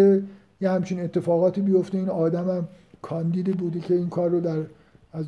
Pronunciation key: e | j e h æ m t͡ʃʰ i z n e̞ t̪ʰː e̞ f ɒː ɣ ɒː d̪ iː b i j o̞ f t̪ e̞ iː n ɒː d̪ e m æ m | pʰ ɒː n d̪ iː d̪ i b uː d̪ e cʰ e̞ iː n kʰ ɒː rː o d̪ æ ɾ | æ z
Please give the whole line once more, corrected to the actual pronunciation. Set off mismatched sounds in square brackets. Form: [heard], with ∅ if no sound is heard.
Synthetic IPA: e | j e h æ m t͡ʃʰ i [∅] n e̞ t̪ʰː e̞ f ɒː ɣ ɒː [t̪] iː b i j o̞ f t̪ e̞ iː n ɒː d̪ [æ] m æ m | [kʰ] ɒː n d̪ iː d̪ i b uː d̪ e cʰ e̞ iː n kʰ ɒː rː o d̪ æ ɾ | æ z